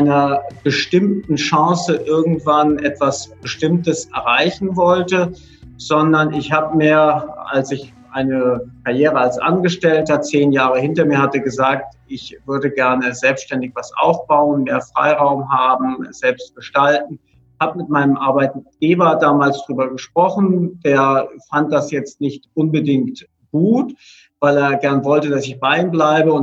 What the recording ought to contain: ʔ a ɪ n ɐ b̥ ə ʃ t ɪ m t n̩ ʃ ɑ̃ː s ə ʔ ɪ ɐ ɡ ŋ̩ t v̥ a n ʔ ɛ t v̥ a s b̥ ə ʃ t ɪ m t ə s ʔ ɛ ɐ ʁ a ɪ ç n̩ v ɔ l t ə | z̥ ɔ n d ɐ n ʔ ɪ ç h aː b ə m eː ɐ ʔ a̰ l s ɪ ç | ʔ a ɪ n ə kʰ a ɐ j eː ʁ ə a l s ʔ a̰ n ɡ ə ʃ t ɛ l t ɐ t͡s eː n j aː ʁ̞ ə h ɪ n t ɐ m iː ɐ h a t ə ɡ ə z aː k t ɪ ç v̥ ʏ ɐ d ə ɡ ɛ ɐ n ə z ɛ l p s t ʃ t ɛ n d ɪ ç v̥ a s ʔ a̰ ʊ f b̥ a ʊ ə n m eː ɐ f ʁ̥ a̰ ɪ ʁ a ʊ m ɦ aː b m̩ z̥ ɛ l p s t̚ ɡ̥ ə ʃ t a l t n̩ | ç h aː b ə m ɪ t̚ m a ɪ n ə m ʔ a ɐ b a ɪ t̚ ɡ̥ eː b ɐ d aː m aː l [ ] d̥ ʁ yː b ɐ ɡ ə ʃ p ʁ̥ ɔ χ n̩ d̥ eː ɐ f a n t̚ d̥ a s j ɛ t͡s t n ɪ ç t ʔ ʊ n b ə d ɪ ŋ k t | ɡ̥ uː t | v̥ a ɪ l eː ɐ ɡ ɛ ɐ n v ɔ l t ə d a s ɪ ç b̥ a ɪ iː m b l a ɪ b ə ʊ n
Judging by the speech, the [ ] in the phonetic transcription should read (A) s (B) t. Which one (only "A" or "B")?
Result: A